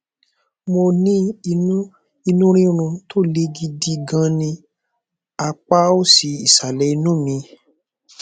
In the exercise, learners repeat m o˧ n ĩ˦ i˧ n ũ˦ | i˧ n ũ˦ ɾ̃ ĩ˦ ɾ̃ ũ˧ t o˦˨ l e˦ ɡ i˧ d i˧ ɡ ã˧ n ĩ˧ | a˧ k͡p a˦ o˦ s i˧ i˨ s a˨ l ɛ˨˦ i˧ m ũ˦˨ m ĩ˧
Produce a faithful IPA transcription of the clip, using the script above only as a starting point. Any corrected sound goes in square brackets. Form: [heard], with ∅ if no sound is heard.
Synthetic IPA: m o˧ n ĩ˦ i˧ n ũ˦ | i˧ n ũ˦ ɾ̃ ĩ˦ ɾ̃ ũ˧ t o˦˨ l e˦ ɡ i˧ d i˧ ɡ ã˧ n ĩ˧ | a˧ k͡p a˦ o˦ s i˧ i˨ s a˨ l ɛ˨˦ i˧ [n] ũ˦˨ m ĩ˧